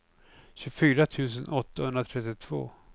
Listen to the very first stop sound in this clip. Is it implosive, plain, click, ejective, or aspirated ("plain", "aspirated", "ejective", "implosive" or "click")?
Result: aspirated